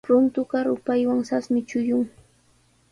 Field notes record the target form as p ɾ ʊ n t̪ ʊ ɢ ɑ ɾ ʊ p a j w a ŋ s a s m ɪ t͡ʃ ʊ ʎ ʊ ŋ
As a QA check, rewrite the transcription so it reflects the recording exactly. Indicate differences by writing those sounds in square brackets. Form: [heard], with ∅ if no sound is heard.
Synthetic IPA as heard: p ɾ ʊ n t̪ ʊ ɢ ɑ ɾ ʊ p a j w a ŋ s a s m ɪ t͡ʃ ʊ [j] ʊ ŋ